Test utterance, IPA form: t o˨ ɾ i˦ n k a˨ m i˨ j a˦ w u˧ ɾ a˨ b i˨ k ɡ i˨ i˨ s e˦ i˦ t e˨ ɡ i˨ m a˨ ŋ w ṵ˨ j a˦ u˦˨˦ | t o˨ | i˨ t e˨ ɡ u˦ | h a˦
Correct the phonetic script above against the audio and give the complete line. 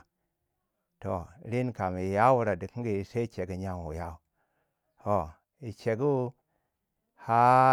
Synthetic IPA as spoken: t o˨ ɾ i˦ n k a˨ m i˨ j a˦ w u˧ ɾ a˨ d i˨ k ɡ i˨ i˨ s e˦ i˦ t͡ʃ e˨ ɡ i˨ ɲ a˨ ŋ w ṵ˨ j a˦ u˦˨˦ | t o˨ | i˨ t͡ʃ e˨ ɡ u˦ | h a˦